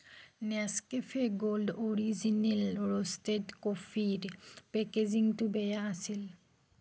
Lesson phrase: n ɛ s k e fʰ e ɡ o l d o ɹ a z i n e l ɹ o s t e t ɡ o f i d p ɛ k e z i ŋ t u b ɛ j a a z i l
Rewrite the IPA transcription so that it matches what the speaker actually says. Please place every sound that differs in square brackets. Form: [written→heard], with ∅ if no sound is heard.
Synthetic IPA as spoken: n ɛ s k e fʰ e ɡ o l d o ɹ [a→i] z i n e l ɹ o s t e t [ɡ→k] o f i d p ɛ k e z i ŋ t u b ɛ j a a [z→s] i l

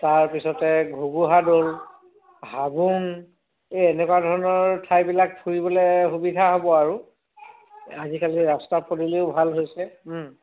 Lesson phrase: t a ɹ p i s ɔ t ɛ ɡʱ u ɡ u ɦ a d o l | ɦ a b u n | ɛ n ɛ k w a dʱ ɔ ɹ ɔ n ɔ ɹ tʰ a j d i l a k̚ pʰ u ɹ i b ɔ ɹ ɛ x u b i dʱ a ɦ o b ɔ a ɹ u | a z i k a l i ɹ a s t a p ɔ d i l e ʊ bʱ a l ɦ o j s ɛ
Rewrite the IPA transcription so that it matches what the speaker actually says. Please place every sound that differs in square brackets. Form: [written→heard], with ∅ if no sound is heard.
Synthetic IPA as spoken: t a ɹ p i s ɔ t ɛ ɡʱ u ɡ u ɦ a d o l | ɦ a b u n | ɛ n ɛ k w a dʱ ɔ ɹ ɔ n ɔ ɹ tʰ a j [d→b] i l a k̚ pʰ u ɹ i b ɔ [ɹ→l] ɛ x u b i dʱ a ɦ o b ɔ a ɹ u | a z i k a l i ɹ a s t a p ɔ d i l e ʊ bʱ a l ɦ o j s ɛ

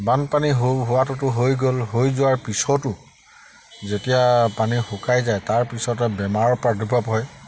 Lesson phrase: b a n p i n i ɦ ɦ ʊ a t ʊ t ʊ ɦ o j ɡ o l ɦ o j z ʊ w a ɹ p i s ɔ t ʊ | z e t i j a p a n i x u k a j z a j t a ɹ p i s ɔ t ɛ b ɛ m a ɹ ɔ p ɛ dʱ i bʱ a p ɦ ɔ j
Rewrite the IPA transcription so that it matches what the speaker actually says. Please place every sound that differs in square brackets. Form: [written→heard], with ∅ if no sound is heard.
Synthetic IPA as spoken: b a n p [i→a] n i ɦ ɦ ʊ a t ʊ t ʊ ɦ o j ɡ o l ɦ o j z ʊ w a ɹ p i s ɔ t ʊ | z e t i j a p a n i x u k a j z a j t a ɹ p i s ɔ t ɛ b ɛ m a ɹ ɔ p [ɛ→a] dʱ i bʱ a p ɦ ɔ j

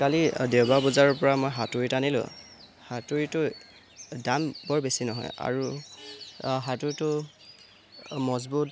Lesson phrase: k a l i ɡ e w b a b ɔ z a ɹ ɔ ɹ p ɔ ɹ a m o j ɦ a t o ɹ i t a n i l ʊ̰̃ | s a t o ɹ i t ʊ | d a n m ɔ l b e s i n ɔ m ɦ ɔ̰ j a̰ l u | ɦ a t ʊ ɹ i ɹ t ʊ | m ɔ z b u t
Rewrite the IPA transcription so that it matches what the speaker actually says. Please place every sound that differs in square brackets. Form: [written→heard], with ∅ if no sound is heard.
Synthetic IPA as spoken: k a l i [ɡ→d] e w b a b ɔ z a ɹ ɔ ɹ p ɔ ɹ a m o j ɦ a t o ɹ i t a n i l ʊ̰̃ | [s→h] a t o ɹ i t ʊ | d a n [m→b] ɔ [l→ɹ] b e s i n ɔ [m→∅] ɦ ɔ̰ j a̰ [l→ɹ] u | ɦ a t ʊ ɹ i [ɹ→∅] t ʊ | m ɔ z b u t

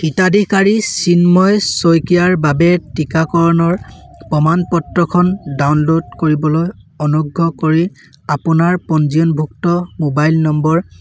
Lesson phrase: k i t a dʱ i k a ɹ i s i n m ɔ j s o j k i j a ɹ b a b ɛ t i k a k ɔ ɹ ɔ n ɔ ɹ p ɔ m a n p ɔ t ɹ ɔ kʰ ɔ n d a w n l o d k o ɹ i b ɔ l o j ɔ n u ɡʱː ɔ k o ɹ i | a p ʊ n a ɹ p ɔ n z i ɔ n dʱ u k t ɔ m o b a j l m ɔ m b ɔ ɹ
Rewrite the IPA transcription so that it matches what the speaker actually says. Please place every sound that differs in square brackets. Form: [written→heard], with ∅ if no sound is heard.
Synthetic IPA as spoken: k i t a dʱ i k a ɹ i s i n m ɔ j s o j k i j a ɹ b a b ɛ t i k a k ɔ ɹ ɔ n ɔ ɹ p ɔ m a n p ɔ t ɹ ɔ kʰ ɔ n d a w n l o d k o ɹ i b ɔ l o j ɔ n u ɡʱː ɔ k o ɹ i | a p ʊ n a ɹ p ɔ n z i ɔ n [dʱ→bʱ] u k t ɔ m o b a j l [m→n] ɔ m b ɔ ɹ

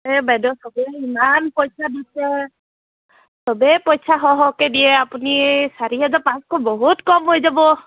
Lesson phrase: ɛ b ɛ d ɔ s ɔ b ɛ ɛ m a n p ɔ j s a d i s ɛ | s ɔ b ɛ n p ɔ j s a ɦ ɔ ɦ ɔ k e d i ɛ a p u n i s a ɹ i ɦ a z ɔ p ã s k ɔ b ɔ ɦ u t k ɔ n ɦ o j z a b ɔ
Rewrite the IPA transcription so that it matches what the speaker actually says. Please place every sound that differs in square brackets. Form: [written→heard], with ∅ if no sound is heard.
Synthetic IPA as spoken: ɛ b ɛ d ɔ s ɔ b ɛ [ɛ→i] m a n p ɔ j s a d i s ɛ | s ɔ b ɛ [n→∅] p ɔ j s a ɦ ɔ ɦ ɔ k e d i ɛ a p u n i s a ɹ i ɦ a z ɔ p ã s k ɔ b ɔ ɦ u t k ɔ [n→m] ɦ o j z a b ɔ

